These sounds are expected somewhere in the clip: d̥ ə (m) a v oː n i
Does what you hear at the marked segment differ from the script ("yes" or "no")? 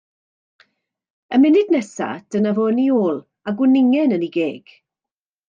yes